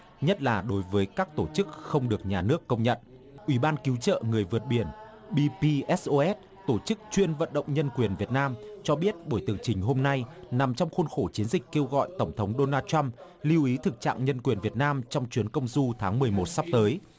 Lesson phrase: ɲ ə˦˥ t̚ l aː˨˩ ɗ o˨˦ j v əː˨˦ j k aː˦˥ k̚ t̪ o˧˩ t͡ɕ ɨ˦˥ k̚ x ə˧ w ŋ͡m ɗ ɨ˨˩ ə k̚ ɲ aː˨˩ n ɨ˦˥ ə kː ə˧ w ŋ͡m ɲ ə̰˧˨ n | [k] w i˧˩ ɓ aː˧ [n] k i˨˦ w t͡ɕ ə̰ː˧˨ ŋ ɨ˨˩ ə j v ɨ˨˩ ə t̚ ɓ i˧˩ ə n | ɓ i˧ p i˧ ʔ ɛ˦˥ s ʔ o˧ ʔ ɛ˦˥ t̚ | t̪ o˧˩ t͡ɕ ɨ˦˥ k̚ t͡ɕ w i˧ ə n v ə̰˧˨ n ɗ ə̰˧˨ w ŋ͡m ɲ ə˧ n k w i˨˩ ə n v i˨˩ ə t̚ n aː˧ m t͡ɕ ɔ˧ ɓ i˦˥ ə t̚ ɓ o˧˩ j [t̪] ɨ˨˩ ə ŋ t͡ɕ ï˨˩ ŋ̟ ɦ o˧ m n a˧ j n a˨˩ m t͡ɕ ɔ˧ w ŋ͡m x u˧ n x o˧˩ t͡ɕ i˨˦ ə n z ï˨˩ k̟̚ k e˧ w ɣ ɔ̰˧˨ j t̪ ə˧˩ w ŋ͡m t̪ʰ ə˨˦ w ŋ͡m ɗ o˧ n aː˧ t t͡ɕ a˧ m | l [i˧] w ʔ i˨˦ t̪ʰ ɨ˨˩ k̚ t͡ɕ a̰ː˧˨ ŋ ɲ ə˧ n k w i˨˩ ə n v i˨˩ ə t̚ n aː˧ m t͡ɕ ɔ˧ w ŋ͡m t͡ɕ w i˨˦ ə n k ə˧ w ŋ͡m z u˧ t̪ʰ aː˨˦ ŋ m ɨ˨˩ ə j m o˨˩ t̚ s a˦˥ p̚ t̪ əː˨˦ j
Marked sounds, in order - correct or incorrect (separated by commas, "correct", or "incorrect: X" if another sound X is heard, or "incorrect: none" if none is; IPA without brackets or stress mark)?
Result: incorrect: ʔ, correct, correct, correct